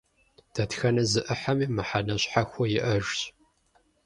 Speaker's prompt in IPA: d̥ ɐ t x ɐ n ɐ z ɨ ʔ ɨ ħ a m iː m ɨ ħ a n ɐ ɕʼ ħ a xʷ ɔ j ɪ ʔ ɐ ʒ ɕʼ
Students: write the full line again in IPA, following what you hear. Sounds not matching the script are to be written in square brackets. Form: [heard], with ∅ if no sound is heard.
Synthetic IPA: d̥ ɐ t x ɐ n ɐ z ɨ ʔ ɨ ħ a m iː m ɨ ħ a n ɐ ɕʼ ħ a xʷ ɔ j ɪ ʔ ɐ ʒ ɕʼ